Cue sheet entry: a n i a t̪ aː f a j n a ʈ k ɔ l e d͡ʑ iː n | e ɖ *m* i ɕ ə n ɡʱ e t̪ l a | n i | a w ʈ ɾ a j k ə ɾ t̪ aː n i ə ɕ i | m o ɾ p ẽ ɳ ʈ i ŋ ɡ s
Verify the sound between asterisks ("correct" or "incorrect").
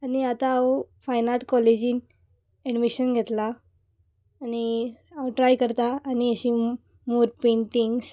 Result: correct